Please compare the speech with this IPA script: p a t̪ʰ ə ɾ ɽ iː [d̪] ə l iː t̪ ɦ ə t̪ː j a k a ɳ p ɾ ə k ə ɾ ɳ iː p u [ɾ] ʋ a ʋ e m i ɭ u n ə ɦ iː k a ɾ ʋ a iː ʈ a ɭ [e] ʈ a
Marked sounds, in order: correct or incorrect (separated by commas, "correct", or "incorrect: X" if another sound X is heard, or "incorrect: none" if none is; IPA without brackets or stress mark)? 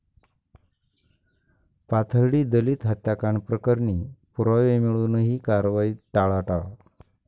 correct, correct, incorrect: a